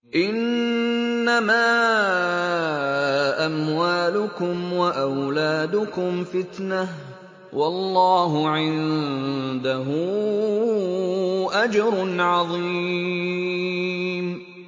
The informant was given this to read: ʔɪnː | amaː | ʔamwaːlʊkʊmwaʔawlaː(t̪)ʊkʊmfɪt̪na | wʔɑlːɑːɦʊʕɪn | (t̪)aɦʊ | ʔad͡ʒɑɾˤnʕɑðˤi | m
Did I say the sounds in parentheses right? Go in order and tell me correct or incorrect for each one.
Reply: incorrect, incorrect

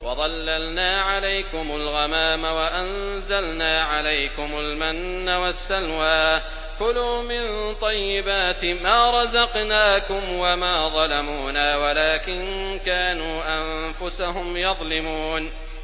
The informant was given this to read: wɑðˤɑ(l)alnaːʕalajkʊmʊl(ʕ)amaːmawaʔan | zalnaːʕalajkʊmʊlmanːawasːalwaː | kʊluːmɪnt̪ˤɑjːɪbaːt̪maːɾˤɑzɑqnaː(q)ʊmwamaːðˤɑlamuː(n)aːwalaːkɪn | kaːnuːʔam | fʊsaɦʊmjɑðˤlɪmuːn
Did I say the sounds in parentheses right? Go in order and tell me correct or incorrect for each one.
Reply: incorrect, incorrect, incorrect, correct

